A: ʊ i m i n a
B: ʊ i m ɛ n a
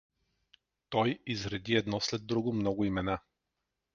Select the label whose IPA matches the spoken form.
B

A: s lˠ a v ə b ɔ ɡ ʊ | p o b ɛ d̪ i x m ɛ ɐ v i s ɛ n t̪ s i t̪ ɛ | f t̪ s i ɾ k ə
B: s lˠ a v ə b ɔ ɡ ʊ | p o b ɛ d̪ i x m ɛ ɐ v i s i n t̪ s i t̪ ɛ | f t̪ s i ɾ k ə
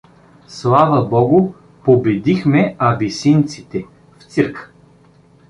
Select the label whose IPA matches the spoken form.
B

